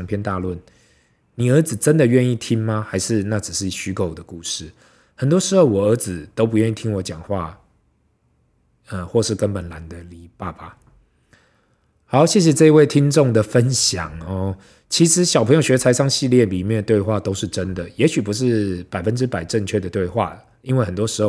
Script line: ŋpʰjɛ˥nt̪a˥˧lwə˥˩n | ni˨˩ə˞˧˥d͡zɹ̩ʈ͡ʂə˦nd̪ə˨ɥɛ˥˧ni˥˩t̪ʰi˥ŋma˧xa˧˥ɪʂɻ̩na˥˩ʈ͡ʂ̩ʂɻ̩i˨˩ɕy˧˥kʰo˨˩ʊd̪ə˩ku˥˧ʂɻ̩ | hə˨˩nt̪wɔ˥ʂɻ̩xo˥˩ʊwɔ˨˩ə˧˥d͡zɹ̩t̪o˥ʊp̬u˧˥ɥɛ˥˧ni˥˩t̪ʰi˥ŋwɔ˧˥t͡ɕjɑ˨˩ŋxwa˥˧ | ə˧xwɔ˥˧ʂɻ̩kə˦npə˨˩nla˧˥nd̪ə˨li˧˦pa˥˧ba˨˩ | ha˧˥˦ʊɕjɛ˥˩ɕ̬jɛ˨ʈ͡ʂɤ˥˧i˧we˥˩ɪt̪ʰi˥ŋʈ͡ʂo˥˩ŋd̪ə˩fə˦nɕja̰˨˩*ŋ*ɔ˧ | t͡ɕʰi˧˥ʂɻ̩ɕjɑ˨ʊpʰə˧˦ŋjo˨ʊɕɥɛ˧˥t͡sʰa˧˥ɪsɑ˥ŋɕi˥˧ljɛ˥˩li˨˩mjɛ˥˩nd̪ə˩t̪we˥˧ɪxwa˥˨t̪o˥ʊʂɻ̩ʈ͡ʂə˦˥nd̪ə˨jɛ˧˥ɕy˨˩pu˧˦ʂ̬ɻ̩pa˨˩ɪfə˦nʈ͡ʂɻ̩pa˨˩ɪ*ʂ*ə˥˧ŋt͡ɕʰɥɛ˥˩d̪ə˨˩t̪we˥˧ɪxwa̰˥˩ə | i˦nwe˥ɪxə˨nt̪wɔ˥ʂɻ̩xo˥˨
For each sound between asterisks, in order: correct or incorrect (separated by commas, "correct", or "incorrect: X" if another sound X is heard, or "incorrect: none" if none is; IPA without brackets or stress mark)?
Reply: correct, incorrect: ʈ͡ʂ